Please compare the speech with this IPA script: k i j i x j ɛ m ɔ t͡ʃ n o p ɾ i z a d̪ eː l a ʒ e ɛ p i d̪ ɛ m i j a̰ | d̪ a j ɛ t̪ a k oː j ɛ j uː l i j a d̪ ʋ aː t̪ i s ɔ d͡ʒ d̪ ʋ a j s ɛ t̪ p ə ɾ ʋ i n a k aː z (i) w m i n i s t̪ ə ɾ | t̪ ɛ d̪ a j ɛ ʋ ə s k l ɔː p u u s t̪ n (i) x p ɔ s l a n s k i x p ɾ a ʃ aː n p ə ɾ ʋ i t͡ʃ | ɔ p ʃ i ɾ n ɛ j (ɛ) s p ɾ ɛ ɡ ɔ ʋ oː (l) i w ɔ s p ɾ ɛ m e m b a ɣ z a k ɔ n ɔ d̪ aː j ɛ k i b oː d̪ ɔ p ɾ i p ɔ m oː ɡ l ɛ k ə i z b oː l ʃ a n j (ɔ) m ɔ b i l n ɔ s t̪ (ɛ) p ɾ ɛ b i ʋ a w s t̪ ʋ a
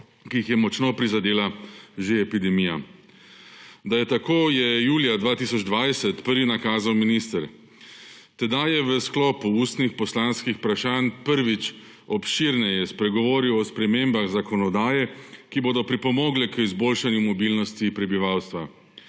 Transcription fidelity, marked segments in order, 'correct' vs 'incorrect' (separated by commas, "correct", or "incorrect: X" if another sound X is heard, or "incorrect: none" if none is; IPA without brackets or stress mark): incorrect: a, correct, correct, incorrect: ɾ, incorrect: u, incorrect: i